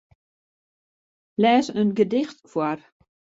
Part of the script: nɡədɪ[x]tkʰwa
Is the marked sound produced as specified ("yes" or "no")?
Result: yes